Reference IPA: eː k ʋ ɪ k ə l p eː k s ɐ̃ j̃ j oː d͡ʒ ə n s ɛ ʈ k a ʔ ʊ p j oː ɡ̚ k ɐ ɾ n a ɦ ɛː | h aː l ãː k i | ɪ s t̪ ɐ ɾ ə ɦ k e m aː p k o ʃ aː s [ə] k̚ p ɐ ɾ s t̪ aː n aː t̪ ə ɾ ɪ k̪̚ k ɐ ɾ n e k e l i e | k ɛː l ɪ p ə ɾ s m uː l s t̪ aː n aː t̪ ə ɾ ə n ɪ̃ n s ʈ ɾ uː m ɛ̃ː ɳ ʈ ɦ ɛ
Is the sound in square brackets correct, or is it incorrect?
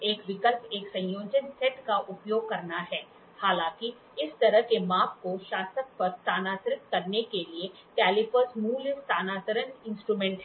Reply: correct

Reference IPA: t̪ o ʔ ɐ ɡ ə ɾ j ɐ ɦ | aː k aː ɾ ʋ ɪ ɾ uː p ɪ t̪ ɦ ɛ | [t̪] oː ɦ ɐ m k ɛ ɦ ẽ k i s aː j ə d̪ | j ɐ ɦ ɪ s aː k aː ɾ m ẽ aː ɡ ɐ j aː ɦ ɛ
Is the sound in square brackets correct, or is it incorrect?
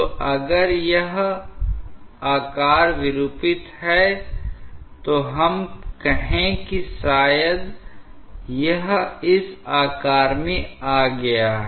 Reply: correct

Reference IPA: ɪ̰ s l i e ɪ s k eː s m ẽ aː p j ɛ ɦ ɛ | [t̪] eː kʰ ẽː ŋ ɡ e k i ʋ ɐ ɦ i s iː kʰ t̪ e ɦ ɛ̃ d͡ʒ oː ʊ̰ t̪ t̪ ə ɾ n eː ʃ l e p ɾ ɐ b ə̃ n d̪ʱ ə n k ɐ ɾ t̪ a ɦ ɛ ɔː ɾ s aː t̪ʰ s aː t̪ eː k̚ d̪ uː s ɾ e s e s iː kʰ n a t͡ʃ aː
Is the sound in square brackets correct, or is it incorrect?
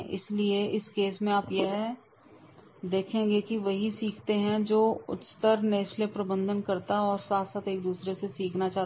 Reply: incorrect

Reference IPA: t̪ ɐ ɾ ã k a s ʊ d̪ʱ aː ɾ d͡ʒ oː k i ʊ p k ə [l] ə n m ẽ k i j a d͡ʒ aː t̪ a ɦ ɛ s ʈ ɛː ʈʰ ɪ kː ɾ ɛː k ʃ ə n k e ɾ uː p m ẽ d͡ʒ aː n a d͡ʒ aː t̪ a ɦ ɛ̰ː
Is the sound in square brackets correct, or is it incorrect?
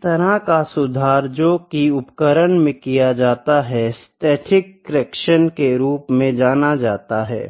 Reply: incorrect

